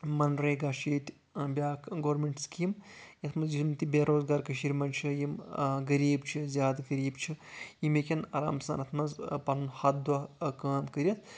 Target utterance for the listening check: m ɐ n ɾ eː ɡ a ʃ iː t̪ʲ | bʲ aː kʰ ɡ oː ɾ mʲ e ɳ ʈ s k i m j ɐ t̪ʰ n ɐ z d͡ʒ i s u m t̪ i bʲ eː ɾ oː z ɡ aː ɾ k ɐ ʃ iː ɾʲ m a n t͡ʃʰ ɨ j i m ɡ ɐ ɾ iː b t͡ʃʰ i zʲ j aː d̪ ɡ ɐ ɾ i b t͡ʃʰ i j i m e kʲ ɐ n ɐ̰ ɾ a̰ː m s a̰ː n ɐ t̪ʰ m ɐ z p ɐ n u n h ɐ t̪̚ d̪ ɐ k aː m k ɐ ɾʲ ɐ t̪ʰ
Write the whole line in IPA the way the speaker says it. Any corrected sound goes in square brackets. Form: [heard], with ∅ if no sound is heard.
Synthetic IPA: m ɐ n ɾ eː ɡ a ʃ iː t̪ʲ | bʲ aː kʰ ɡ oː ɾ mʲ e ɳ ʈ s k i m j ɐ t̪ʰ [m] ɐ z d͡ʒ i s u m t̪ i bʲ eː ɾ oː z ɡ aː ɾ k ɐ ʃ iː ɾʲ m [ɐ] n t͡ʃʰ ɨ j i m ɡ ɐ ɾ iː b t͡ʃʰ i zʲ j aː d̪ ɡ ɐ ɾ [iː] b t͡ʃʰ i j i m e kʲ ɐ n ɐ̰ ɾ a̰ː m s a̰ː n ɐ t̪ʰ m ɐ z p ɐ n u n h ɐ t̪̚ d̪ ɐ k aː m k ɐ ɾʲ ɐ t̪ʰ